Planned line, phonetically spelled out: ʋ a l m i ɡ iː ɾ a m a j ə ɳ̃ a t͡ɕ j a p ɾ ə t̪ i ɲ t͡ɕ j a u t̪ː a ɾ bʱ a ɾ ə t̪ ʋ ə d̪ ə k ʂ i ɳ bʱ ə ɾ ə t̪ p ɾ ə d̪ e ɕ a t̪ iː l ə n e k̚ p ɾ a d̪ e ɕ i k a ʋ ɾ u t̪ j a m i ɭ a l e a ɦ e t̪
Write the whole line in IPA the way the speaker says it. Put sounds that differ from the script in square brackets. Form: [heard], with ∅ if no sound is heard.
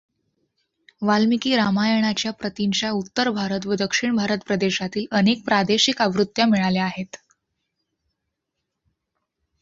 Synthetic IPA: ʋ a l m i [k] iː ɾ a m a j ə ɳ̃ a t͡ɕ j a p ɾ ə t̪ i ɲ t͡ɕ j a u t̪ː [ə] ɾ bʱ a ɾ ə t̪ ʋ ə d̪ ə k ʂ i ɳ bʱ [a] ɾ ə t̪ p ɾ ə d̪ e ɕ a t̪ iː l ə n e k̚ p ɾ a d̪ e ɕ i k a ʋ ɾ u t̪ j a m i ɭ a l e a ɦ e t̪